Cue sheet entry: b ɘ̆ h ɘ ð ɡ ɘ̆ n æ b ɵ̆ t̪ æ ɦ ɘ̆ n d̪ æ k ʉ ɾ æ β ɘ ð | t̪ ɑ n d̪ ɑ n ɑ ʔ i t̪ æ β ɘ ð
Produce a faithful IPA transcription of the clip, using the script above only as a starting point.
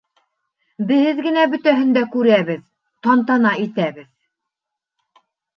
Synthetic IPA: b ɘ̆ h ɘ ð ɡ ɘ̆ n æ b ɵ̆ t̪ æ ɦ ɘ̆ n d̪ æ k ʉ ɾ æ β ɘ ð | t̪ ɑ n t̪ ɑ n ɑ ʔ i t̪ æ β ɘ ð